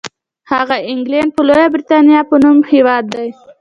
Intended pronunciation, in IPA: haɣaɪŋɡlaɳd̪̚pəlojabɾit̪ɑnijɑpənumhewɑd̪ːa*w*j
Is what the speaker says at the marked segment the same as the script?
no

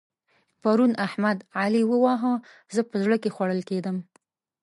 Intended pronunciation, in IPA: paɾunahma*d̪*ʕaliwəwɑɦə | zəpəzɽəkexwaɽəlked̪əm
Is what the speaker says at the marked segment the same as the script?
yes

